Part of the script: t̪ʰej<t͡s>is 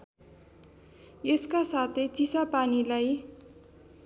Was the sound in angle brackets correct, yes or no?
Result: yes